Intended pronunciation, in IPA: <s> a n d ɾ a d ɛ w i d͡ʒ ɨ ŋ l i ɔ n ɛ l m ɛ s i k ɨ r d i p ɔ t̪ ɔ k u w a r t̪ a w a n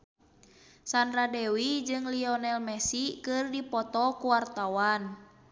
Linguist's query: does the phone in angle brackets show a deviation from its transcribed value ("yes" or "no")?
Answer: no